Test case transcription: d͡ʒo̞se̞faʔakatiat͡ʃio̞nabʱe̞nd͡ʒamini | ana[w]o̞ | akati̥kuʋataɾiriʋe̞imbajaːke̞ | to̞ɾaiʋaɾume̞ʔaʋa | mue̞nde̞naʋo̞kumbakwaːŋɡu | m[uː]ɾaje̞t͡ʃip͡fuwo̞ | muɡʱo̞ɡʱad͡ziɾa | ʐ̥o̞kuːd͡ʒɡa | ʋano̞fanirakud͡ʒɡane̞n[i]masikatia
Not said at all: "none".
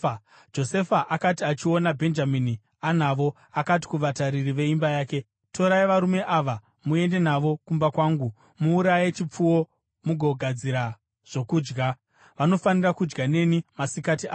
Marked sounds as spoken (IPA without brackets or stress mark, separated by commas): ʋ, uː, i